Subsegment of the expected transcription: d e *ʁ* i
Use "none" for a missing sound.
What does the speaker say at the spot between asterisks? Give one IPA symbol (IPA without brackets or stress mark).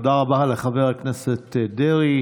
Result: ʁ